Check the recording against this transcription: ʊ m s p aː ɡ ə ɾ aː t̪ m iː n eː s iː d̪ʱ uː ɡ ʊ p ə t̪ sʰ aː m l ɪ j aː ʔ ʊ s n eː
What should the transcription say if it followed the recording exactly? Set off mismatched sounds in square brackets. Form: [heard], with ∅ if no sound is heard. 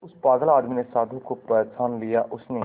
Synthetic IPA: ʊ [∅] s p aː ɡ ə [l] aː [d̪] m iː n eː s [aː] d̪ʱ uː [k] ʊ p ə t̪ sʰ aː [n] l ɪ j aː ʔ ʊ s n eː